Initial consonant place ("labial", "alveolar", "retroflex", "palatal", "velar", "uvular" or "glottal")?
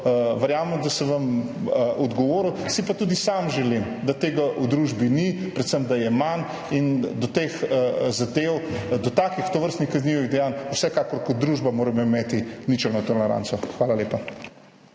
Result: labial